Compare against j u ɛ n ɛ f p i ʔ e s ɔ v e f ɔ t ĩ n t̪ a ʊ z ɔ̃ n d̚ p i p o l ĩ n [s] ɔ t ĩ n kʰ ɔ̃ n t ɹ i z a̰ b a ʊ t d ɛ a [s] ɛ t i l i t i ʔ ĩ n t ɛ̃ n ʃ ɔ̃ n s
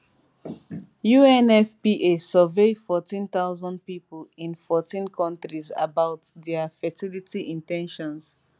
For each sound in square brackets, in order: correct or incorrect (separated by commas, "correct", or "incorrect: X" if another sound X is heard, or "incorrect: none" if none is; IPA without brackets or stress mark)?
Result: incorrect: f, incorrect: f